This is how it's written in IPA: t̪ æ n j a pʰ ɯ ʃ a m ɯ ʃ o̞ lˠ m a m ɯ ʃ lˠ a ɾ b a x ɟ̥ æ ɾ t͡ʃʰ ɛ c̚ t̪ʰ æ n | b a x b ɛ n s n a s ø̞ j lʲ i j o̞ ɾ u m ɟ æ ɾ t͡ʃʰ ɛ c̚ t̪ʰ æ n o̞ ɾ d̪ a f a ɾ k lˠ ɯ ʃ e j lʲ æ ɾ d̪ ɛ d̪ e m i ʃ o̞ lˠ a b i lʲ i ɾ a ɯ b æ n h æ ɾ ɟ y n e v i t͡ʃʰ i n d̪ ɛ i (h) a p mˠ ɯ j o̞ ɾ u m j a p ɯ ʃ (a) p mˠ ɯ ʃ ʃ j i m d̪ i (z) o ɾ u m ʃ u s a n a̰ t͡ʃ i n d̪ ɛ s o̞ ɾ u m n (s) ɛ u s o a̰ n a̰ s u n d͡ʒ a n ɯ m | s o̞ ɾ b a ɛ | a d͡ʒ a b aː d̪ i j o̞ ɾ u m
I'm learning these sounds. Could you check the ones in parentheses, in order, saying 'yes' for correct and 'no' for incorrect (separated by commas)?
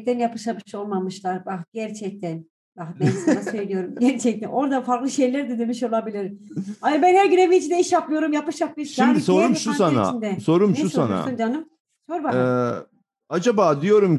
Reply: no, yes, no, no